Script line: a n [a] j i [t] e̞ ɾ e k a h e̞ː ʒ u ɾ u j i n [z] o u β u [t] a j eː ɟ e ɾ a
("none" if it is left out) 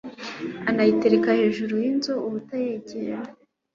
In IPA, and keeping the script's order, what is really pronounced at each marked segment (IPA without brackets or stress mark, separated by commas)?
a, t, z, t